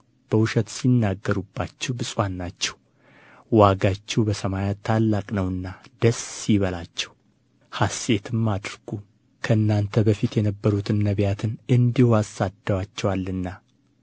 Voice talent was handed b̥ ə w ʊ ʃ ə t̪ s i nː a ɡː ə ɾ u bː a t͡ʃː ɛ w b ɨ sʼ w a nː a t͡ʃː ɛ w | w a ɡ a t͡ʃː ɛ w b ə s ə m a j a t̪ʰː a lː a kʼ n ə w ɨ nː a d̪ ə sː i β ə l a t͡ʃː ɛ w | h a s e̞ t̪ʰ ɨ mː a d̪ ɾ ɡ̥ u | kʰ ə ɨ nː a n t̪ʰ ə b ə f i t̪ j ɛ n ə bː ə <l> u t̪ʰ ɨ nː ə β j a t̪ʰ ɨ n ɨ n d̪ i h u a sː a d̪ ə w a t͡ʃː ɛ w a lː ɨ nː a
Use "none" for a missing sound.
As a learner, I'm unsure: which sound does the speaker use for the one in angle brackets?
ɾ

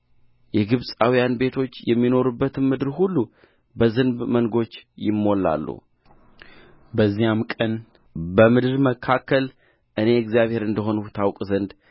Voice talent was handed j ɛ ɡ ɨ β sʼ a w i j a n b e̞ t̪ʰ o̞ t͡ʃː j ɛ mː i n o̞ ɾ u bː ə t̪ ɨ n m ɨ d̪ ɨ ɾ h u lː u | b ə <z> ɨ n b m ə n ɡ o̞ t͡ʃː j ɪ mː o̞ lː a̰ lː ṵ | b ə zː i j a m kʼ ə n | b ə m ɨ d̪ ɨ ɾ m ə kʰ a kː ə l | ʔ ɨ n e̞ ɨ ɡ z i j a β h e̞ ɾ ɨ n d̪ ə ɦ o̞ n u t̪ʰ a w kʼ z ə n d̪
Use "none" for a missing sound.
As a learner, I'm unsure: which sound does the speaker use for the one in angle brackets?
z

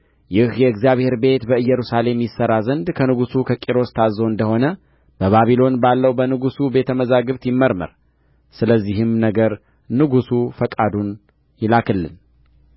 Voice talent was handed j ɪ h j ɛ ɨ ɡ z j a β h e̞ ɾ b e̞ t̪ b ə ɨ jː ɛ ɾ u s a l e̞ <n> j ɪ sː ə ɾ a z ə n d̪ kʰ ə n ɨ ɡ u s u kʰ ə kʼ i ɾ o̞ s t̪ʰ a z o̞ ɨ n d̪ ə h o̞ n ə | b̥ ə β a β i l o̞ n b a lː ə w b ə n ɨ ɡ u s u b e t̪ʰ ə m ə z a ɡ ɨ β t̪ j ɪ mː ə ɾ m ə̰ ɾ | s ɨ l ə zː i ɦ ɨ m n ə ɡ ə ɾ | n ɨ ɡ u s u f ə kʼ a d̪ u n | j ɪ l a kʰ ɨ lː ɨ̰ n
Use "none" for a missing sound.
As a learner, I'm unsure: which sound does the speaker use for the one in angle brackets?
m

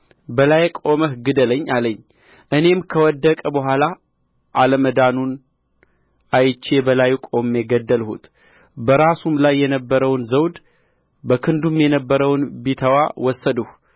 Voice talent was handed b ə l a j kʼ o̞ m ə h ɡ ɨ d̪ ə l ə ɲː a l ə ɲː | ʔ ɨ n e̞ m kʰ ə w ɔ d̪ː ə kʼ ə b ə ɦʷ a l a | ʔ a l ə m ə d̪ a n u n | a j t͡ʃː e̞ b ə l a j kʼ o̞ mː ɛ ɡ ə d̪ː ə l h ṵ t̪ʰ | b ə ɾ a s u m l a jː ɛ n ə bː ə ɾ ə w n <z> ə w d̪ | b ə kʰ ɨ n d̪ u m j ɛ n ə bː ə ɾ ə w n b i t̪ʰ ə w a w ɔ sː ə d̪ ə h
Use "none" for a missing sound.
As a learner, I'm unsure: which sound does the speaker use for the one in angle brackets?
z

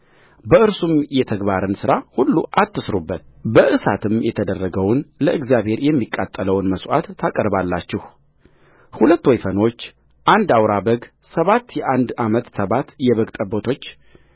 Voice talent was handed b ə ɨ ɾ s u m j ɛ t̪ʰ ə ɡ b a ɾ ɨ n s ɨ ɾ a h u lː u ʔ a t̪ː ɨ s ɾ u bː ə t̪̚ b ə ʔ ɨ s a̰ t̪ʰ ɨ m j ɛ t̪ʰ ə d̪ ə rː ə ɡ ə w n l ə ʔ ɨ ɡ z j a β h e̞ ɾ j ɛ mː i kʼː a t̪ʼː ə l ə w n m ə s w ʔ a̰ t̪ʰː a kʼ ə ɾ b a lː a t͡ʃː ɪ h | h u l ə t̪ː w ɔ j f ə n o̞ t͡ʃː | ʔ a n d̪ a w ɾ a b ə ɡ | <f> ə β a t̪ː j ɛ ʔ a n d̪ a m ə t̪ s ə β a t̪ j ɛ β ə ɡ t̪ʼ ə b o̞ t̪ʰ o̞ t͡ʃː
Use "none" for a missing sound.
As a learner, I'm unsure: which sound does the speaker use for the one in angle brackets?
s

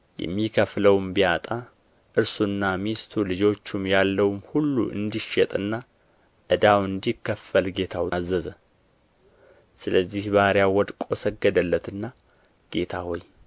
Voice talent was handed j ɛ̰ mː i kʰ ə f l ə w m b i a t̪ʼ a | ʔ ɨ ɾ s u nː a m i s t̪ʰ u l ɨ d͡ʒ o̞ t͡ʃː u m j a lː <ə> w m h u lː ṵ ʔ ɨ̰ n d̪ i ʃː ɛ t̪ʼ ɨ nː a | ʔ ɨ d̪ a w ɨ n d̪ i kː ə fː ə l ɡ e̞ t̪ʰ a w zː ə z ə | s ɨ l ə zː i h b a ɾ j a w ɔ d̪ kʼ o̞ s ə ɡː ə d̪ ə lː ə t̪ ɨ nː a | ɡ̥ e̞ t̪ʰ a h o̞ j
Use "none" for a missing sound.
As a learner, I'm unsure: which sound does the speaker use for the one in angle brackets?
ə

